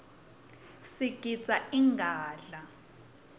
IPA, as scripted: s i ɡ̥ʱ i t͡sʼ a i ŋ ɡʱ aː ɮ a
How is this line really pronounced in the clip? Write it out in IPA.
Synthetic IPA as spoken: s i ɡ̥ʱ i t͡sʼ a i ŋ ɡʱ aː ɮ a